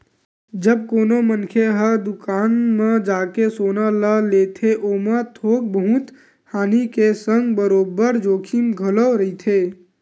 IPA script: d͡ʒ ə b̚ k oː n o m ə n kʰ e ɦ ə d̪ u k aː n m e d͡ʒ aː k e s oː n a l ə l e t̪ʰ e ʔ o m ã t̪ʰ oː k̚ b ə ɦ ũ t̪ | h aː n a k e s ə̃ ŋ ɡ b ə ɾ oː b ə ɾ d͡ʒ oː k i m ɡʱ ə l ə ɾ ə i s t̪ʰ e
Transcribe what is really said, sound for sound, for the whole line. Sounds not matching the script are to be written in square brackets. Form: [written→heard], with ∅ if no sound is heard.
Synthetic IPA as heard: d͡ʒ ə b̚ k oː n o m ə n kʰ e ɦ ə d̪ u k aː n m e d͡ʒ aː k e s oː n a l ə l e t̪ʰ e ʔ o m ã t̪ʰ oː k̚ b ə ɦ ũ t̪ | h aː n [a→i] k e s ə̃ ŋ ɡ b ə ɾ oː b ə ɾ d͡ʒ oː [k→kʰ] i m ɡʱ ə l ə ɾ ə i [s→∅] t̪ʰ e